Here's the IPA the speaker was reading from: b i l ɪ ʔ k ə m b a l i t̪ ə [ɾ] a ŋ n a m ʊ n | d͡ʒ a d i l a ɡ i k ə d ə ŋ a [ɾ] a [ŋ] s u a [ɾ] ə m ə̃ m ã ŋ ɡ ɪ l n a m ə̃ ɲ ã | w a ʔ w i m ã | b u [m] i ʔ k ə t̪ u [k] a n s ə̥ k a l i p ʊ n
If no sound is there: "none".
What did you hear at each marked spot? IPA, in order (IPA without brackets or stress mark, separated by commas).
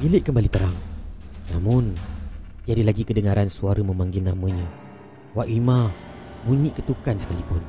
ɾ, ɾ, n, ɾ, ɲ, k